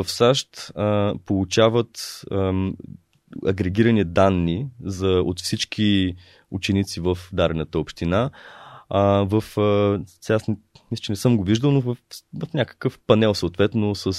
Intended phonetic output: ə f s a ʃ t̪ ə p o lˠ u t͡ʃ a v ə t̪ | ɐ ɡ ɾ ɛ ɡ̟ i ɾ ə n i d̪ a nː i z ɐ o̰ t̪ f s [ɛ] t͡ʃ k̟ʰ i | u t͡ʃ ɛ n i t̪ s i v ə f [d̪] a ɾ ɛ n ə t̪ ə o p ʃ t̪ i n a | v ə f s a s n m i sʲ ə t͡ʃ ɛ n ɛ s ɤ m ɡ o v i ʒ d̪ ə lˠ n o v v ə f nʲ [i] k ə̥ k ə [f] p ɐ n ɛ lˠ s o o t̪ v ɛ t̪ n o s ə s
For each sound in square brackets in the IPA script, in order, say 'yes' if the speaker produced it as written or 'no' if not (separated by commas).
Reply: no, yes, no, yes